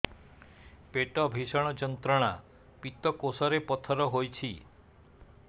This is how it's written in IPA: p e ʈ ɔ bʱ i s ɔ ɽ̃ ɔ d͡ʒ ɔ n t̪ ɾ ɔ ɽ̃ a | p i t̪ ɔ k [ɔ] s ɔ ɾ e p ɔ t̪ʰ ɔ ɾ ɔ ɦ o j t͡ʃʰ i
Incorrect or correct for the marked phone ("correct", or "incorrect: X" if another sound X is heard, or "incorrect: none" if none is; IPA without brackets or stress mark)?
incorrect: o